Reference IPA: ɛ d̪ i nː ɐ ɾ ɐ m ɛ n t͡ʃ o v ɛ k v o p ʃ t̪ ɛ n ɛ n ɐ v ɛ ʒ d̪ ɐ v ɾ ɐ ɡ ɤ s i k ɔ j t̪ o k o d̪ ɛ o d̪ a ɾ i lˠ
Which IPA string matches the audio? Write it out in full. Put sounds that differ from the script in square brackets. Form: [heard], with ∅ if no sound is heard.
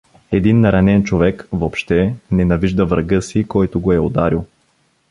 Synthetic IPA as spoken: ɛ d̪ i nː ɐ ɾ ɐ [n] ɛ n t͡ʃ o v ɛ k v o p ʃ t̪ ɛ n ɛ n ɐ v [i] ʒ d̪ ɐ v ɾ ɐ ɡ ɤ s i k ɔ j t̪ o [ɡ] o [∅] ɛ o d̪ a ɾ i lˠ

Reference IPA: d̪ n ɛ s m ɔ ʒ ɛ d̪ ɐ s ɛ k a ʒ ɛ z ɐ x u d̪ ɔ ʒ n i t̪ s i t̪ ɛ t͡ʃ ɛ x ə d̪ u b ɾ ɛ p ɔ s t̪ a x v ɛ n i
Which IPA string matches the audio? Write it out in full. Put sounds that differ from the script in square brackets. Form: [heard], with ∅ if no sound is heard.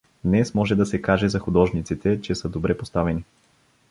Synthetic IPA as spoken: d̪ n ɛ s m ɔ ʒ ɛ d̪ ɐ s ɛ k a ʒ ɛ z ɐ x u d̪ ɔ ʒ n i t̪ s i t̪ ɛ t͡ʃ ɛ [s] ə d̪ [o] b ɾ ɛ p [o] s t̪ a [∅] v ɛ n i

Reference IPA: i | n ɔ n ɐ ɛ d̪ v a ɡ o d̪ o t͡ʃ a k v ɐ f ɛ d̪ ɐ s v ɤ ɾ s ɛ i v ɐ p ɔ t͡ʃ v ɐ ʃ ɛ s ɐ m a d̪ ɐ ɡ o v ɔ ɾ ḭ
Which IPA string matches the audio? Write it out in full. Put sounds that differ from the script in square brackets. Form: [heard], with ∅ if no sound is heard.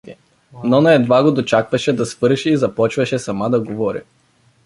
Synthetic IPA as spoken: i | n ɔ n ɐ ɛ d̪ v a ɡ o d̪ o t͡ʃ a k v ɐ [ʃ] ɛ d̪ ɐ s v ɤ ɾ [ʃ] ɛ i [z] ɐ p ɔ t͡ʃ v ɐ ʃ ɛ s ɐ m a d̪ ɐ ɡ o v ɔ ɾ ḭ

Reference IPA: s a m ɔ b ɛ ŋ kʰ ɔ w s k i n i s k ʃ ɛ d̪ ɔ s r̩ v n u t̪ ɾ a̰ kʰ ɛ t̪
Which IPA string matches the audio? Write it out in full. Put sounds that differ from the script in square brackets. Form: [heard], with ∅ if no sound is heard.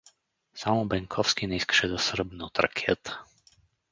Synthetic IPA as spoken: s a m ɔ b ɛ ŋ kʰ ɔ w s k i n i s k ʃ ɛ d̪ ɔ s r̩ [b] n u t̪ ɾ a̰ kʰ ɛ t̪

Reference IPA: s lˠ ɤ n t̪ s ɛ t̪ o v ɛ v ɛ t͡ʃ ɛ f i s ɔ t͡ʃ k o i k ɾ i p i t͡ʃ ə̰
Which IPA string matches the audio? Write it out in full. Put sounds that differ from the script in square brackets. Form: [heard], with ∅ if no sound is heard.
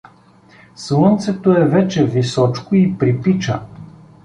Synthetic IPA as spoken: s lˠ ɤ n t̪ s ɛ t̪ o [∅] ɛ v ɛ t͡ʃ ɛ [v] i s ɔ t͡ʃ k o i [p] ɾ i p i t͡ʃ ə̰

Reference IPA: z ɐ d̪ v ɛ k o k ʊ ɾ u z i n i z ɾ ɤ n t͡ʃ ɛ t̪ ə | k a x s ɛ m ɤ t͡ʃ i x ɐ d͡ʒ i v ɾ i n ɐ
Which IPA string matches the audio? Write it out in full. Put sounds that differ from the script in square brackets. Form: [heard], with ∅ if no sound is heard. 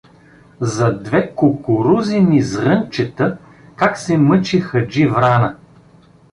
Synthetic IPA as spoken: z ɐ d̪ v ɛ k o k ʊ ɾ u z i n i z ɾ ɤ n t͡ʃ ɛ t̪ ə | k a [k] s ɛ m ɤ t͡ʃ i x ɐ d͡ʒ i v ɾ [a] n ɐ

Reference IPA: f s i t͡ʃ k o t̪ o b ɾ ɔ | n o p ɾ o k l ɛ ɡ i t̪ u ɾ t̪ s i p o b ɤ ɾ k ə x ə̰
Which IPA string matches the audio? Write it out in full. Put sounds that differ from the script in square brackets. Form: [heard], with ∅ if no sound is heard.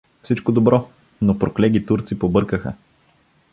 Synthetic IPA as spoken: f s i t͡ʃ k o [d̪] o b ɾ ɔ | n o p ɾ o k l ɛ ɡ i t̪ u ɾ t̪ s i p o b ɤ ɾ k ə x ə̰

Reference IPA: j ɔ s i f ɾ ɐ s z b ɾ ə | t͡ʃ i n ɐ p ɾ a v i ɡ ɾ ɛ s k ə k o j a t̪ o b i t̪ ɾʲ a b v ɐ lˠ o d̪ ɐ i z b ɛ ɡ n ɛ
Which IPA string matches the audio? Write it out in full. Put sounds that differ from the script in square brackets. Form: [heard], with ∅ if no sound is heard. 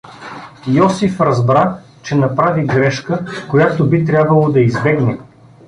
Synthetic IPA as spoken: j ɔ s i f ɾ ɐ [∅] z b ɾ [a] | t͡ʃ [ɛ] n ɐ p ɾ a v i ɡ ɾ ɛ [ʃ] k ə k o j a t̪ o b i t̪ ɾʲ a b v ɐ lˠ o d̪ ɐ i z b ɛ ɡ n ɛ

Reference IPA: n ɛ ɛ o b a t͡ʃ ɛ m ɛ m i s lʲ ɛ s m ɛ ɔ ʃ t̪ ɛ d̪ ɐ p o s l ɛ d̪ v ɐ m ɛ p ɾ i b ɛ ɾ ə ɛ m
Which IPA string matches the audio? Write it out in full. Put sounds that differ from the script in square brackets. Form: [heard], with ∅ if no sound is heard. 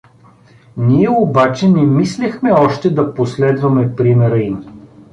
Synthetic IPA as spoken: n [i] ɛ o b a t͡ʃ ɛ [n] ɛ m i s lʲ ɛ [x] m ɛ ɔ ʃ t̪ ɛ d̪ ɐ p o s l ɛ d̪ v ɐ m ɛ p ɾ i [m] ɛ ɾ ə [i] m

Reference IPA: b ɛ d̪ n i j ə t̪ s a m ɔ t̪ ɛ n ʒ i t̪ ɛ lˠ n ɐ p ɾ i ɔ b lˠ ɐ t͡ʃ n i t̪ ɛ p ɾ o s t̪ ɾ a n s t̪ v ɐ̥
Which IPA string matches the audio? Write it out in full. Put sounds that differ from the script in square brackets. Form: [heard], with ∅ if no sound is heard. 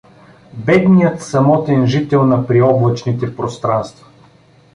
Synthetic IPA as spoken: b ɛ d̪ n i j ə t̪ s [ɐ] m ɔ t̪ ɛ n ʒ i t̪ ɛ lˠ n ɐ p ɾ i ɔ b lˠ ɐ t͡ʃ n i t̪ ɛ p ɾ o s t̪ ɾ a n s t̪ v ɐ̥

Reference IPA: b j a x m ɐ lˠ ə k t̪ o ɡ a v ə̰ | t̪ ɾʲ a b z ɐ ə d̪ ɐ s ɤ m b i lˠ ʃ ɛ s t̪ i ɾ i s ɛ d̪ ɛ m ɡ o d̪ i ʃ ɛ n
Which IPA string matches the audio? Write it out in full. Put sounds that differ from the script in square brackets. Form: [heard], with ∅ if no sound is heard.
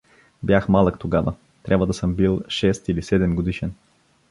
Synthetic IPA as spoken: b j a x m [a] lˠ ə k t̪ o ɡ a v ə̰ | t̪ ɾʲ a b [v] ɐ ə d̪ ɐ s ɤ m b i lˠ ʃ ɛ s t̪ i [l] i s ɛ d̪ ɛ m ɡ o d̪ i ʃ ɛ n

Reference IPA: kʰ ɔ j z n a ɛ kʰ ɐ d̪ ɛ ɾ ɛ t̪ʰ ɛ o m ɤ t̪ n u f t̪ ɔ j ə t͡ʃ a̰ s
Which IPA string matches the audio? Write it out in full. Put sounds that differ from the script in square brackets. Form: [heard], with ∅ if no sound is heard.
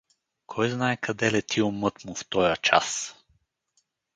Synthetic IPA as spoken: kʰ ɔ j z n a ɛ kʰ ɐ d̪ ɛ [l] ɛ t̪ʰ [i] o m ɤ t̪ [m] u f t̪ ɔ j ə t͡ʃ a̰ s

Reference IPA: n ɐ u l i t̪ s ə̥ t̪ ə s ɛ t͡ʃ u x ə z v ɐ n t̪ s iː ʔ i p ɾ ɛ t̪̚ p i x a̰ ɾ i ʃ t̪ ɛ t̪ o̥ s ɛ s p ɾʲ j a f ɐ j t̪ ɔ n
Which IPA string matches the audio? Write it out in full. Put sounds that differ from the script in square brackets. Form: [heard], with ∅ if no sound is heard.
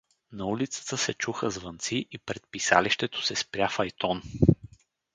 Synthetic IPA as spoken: n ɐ u l i t̪ s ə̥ t̪ ə s ɛ t͡ʃ u x ə z v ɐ n t̪ s [i] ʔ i p ɾ ɛ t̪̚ p i [s] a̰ [l] i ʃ t̪ ɛ t̪ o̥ s ɛ s p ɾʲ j a f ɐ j t̪ ɔ n

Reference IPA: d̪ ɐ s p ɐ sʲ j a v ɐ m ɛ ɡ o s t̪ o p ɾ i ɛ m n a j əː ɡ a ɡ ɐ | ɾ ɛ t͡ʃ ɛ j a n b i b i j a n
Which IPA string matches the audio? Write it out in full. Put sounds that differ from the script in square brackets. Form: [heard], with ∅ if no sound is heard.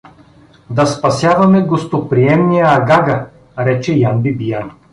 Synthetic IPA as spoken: d̪ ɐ s p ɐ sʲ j a v ɐ m ɛ ɡ o s t̪ o p ɾ i ɛ m n [i] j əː ɡ a ɡ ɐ | ɾ ɛ t͡ʃ ɛ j a n b i b i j a n

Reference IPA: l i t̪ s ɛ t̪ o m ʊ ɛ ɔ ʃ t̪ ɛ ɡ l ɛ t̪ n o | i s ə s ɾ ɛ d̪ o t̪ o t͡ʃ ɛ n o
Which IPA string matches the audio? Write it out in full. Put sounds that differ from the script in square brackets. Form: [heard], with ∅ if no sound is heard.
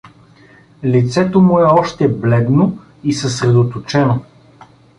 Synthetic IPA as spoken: l i t̪ s ɛ t̪ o m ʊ ɛ ɔ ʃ t̪ ɛ [b] l ɛ [d̪] n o | i s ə s ɾ ɛ d̪ o t̪ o t͡ʃ ɛ n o

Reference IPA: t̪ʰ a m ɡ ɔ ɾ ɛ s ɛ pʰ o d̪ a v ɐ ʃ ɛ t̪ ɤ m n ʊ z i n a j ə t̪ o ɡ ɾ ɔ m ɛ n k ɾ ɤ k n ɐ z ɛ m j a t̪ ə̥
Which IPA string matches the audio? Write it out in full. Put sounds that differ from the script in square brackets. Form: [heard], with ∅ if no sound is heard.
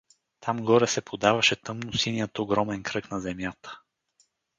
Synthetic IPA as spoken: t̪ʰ a m ɡ ɔ ɾ ɛ s ɛ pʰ o d̪ a v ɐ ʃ ɛ t̪ ɤ m n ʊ [s] i n [i] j ə t̪ o ɡ ɾ ɔ m ɛ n k ɾ ɤ k n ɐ z ɛ m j a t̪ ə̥

